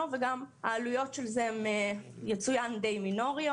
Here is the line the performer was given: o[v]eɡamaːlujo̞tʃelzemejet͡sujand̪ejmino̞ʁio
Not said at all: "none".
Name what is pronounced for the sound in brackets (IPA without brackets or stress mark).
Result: v